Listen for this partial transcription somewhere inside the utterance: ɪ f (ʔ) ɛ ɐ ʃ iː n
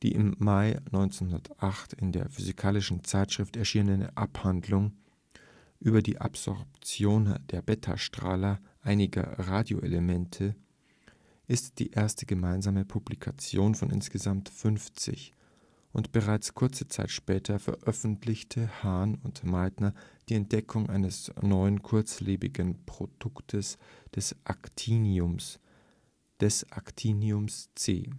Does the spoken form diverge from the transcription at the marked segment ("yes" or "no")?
yes